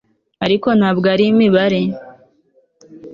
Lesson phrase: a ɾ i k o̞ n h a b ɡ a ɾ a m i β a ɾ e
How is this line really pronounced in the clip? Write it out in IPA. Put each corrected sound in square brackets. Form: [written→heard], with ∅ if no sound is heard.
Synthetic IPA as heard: a ɾ i k o̞ n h a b ɡ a ɾ [a→i] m i β a ɾ e